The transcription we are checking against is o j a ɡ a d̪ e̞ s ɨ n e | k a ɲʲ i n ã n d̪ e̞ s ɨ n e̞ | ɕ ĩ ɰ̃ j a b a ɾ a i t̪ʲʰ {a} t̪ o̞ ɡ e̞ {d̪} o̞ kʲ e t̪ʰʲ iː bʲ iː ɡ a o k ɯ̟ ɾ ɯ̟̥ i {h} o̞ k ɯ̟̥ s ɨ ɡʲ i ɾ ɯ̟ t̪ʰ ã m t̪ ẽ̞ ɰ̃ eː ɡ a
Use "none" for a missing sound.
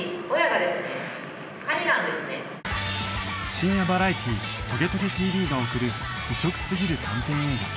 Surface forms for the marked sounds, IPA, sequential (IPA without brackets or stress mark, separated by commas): i, t̪, ɕ